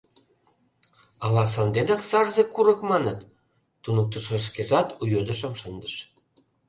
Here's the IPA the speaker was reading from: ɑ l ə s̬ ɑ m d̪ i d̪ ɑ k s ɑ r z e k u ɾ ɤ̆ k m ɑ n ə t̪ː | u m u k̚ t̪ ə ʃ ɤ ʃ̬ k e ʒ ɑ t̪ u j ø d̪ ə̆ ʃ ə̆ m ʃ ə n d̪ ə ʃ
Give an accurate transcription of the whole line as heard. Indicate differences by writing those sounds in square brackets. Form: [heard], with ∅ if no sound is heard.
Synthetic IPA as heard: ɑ l [ɑ] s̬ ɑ [n] d̪ [e] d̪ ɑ k s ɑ r z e k u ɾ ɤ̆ k m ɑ n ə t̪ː | u [n] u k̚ t̪ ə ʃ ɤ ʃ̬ k e ʒ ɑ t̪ u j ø d̪ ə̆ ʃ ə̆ m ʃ ə n d̪ ə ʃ